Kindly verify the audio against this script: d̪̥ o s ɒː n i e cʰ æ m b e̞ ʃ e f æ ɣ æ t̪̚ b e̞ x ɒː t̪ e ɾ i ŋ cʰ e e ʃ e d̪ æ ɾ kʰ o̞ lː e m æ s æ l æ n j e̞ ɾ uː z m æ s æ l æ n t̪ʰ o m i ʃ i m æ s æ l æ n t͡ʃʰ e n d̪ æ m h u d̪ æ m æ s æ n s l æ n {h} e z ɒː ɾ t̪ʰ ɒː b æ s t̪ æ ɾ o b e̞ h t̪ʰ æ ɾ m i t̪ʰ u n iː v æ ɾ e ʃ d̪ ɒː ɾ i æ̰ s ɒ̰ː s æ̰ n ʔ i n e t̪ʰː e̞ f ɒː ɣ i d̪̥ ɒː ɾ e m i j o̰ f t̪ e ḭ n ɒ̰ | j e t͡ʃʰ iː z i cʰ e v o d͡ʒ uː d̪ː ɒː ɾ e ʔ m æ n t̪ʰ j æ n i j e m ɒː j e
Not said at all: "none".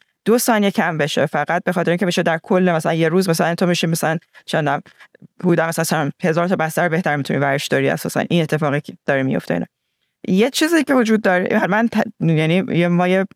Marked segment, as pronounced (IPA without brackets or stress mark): h